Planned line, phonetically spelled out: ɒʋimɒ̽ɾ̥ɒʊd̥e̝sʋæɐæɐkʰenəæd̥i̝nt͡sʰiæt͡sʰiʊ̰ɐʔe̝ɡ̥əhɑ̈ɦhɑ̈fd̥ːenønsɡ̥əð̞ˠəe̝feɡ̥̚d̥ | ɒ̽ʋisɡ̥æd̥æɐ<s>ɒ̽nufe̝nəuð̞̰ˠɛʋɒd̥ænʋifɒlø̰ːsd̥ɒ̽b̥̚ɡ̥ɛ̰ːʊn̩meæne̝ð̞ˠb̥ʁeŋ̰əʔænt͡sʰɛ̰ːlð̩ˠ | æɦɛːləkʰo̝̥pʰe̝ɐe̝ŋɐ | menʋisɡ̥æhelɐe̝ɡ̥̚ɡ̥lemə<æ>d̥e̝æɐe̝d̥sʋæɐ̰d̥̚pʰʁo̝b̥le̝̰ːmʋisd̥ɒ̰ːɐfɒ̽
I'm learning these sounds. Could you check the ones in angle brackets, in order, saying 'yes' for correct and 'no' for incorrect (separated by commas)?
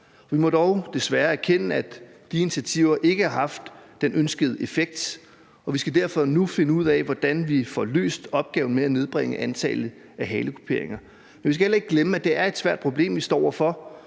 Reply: no, yes